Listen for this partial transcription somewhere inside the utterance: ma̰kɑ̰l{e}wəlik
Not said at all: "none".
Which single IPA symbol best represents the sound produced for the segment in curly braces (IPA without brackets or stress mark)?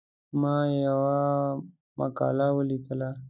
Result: a